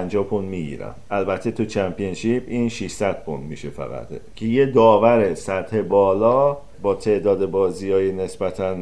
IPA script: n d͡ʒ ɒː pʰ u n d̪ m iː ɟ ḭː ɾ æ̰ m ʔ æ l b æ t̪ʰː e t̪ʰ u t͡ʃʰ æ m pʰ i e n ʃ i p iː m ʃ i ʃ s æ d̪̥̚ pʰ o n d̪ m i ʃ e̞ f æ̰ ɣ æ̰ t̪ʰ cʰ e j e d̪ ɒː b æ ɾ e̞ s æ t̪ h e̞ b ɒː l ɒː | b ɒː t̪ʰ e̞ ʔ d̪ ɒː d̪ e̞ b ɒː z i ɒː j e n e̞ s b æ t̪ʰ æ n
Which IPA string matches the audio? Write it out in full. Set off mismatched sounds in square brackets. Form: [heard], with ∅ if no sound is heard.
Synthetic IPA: n d͡ʒ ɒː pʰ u n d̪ m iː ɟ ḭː ɾ æ̰ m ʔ æ l b æ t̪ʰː e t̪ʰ u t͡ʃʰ æ m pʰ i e n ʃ i p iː [n] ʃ i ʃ s æ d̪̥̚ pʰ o n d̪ m i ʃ e̞ f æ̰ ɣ æ̰ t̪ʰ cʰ e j e d̪ ɒː [v] æ ɾ e̞ s æ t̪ h e̞ b ɒː l ɒː | b ɒː t̪ʰ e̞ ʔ d̪ ɒː d̪ e̞ b ɒː z i ɒː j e n e̞ s b æ t̪ʰ æ n